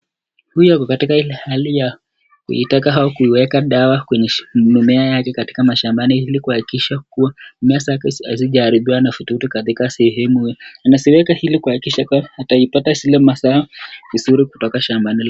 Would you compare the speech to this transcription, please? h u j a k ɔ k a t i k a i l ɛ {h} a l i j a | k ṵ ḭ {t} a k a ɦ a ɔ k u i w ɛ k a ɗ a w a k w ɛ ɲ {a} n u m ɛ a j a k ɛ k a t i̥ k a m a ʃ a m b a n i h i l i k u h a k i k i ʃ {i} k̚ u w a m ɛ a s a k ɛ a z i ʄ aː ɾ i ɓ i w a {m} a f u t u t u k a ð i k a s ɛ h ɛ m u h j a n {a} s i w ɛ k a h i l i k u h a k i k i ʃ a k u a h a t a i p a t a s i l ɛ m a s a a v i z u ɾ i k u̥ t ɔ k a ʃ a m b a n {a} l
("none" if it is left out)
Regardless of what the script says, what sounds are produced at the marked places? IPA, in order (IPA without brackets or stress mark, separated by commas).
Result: h, t, ɛ, a, n, a, i